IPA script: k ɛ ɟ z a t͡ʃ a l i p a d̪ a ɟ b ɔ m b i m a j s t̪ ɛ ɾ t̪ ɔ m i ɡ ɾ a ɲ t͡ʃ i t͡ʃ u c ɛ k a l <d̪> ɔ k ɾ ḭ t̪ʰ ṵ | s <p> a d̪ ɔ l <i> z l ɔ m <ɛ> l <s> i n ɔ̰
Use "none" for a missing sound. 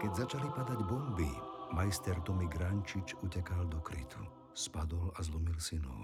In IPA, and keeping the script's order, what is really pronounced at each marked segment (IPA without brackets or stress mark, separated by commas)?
d̪, p, a, i, s